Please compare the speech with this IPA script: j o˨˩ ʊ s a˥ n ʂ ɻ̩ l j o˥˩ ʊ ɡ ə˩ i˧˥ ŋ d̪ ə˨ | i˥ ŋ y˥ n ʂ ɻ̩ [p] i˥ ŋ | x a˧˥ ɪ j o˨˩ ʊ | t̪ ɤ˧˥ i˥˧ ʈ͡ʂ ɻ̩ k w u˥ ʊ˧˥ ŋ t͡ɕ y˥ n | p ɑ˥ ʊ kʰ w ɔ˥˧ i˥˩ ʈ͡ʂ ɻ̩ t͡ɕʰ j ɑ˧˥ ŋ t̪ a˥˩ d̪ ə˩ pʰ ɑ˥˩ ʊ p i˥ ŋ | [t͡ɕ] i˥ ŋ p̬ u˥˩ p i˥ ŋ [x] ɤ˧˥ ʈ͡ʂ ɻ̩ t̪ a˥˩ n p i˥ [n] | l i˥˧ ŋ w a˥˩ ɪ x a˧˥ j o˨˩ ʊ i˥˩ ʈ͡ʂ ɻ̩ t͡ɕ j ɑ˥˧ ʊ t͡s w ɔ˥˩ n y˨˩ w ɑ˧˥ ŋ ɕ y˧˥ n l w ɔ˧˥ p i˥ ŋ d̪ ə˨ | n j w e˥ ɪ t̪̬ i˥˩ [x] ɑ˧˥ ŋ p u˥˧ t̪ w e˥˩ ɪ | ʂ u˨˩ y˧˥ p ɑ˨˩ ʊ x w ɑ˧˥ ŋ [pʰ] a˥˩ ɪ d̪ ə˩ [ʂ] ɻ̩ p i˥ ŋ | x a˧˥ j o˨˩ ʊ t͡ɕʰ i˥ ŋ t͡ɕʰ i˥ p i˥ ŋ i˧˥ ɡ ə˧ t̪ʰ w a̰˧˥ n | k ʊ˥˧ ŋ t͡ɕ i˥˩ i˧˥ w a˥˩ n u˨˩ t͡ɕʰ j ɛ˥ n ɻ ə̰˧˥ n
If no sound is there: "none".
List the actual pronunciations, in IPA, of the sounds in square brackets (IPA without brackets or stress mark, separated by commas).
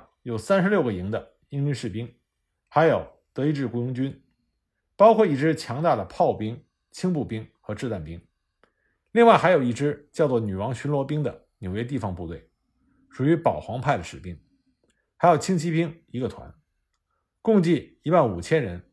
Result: p, t͡ɕʰ, x, ŋ, f, pʰ, ʂ